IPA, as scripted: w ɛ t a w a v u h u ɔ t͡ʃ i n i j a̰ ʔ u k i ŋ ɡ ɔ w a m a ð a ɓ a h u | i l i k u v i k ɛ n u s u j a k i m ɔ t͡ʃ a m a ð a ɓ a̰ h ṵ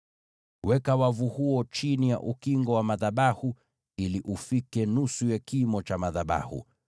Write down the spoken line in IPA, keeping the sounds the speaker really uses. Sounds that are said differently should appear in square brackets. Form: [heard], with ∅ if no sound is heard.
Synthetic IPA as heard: w ɛ [k] a w a v u h u ɔ t͡ʃ i n i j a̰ ʔ u k i ŋ ɡ ɔ w a m a ð a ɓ a h u | i l i [ʔ] u [f] i k ɛ n u s u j a k i m ɔ t͡ʃ a m a ð a ɓ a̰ h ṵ